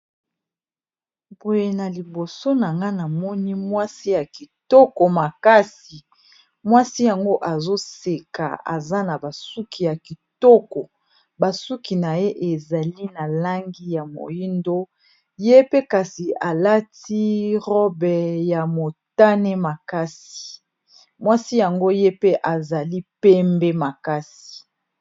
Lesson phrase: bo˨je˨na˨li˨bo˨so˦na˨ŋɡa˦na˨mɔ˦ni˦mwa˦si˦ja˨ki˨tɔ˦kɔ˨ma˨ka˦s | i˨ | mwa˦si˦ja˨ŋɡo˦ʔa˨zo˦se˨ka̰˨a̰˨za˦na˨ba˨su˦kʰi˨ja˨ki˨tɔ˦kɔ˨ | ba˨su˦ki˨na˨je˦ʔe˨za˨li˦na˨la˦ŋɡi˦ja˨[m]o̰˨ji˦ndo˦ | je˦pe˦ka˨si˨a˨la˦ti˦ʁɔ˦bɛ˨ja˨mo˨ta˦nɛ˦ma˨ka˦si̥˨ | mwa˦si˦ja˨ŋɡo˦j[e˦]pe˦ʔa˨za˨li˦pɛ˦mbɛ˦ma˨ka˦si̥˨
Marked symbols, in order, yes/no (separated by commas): yes, yes